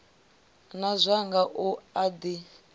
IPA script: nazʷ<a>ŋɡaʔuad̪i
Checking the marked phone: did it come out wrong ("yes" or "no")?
no